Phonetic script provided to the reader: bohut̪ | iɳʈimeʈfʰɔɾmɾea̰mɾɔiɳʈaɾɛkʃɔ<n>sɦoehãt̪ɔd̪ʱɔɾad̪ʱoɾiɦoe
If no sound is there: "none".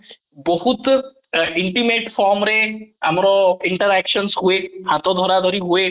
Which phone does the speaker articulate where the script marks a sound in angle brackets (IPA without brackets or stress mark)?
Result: n